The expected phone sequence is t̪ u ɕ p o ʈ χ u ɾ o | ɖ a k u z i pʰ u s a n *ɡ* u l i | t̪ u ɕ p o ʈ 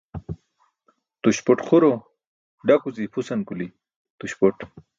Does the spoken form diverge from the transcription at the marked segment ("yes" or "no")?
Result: yes